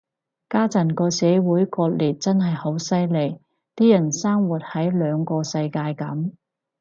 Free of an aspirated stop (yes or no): yes